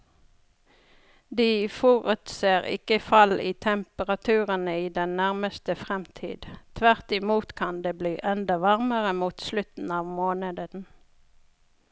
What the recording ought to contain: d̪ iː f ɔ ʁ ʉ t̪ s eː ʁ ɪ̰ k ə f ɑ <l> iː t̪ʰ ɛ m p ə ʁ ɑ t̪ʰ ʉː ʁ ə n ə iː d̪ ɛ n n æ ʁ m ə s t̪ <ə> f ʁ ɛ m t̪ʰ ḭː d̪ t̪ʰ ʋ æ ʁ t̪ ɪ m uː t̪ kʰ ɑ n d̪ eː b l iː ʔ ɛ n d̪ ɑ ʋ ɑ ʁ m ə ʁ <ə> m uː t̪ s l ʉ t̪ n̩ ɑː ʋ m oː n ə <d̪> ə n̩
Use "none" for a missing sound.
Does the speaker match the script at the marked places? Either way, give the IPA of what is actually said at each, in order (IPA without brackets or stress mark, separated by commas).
l, ə, ə, d̪